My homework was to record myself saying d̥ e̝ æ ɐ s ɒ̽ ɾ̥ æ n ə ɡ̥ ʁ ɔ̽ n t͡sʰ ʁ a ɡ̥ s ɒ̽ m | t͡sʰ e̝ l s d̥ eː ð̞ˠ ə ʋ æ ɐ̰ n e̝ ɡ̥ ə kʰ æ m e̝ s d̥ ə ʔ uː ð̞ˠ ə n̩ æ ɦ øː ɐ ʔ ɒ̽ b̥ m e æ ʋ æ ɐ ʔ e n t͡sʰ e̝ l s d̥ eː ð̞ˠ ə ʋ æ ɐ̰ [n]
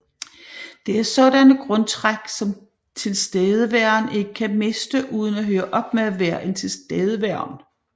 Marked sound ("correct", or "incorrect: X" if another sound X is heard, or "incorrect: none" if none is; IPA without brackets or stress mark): correct